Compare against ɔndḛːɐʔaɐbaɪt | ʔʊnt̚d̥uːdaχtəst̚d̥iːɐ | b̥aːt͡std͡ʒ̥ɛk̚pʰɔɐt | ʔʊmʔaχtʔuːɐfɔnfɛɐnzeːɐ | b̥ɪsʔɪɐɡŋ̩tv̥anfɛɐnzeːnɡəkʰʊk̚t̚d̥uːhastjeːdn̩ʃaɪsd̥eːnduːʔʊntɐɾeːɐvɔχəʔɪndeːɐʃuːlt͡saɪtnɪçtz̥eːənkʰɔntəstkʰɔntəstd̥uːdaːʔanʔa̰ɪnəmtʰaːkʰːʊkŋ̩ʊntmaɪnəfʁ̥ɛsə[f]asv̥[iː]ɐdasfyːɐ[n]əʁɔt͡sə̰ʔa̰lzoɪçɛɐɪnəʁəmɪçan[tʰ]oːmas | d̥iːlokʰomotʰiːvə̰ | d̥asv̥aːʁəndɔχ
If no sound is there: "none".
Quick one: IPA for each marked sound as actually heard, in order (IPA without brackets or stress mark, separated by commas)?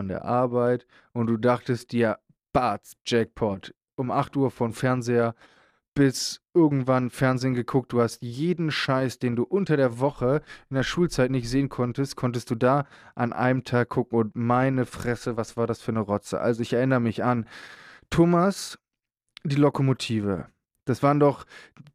v, aː, n, tʰ